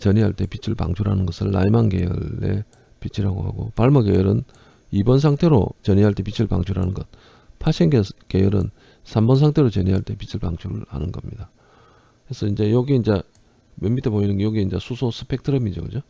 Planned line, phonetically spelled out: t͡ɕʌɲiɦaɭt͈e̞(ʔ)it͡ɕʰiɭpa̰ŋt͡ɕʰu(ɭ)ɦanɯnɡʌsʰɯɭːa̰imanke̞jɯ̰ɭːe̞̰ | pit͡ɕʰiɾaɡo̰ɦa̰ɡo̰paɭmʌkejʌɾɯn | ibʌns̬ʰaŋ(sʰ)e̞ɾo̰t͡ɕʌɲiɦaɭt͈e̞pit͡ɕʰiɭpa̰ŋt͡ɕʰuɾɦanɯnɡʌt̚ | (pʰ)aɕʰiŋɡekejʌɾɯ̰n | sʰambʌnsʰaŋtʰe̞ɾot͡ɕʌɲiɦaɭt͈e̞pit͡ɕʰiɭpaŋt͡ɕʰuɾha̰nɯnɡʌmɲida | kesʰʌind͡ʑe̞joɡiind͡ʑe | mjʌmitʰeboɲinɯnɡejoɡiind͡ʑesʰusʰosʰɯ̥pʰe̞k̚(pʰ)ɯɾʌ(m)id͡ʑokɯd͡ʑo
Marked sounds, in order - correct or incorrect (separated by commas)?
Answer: incorrect, incorrect, incorrect, correct, incorrect, correct